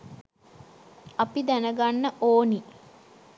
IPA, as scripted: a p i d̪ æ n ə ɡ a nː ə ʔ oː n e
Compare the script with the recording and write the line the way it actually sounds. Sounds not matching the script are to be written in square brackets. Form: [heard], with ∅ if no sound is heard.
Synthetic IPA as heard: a p i d̪ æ n ə ɡ a nː ə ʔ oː n [i]